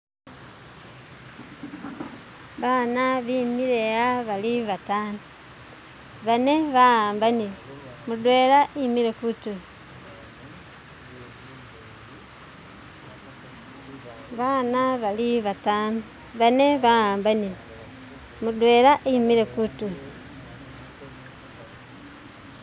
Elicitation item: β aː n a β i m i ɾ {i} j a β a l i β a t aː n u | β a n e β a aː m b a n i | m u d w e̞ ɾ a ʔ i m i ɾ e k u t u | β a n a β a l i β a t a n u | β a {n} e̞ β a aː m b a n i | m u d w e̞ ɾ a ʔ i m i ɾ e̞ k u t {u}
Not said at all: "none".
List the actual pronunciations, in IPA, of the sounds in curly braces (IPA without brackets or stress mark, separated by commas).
e, n, u